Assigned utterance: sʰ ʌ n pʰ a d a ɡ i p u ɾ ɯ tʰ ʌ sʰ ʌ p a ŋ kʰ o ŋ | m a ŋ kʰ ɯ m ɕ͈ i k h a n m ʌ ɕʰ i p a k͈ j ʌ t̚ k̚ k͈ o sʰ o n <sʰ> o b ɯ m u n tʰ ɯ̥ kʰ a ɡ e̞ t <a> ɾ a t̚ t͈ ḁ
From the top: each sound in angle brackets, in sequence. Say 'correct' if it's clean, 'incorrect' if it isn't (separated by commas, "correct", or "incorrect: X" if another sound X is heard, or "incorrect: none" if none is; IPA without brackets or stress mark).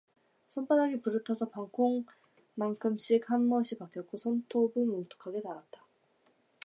incorrect: tʰ, correct